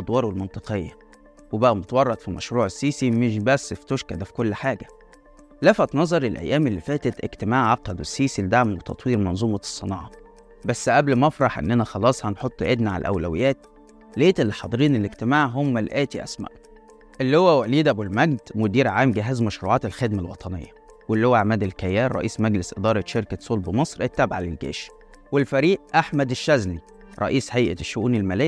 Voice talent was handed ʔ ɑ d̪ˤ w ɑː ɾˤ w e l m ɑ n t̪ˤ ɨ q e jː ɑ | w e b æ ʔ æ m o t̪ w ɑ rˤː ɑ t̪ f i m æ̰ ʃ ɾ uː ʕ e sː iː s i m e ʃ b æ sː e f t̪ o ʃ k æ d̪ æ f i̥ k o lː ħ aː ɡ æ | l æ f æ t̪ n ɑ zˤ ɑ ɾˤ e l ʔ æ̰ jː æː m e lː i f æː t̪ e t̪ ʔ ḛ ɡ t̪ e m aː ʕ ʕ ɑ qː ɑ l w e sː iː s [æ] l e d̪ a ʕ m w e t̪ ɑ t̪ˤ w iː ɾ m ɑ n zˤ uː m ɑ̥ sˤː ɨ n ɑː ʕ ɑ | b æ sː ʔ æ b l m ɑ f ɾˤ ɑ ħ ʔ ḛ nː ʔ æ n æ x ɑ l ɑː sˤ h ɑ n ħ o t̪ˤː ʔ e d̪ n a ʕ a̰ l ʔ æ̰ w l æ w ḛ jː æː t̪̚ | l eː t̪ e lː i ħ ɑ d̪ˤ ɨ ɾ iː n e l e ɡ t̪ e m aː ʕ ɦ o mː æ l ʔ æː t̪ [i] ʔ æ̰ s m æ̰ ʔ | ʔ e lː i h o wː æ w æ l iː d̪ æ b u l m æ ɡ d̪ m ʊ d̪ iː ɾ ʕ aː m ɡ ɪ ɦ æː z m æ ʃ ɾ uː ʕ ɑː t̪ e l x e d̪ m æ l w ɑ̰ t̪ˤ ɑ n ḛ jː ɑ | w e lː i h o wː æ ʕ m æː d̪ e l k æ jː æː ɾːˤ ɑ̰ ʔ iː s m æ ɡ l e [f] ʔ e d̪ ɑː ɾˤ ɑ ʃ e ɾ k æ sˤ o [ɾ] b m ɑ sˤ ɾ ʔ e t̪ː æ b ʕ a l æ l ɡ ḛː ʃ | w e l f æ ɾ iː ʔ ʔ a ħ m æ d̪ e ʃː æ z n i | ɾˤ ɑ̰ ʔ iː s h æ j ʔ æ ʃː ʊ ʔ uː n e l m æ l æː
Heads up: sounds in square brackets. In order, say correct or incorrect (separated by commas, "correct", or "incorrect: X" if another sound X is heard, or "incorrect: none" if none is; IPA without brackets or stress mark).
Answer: incorrect: i, correct, incorrect: s, incorrect: l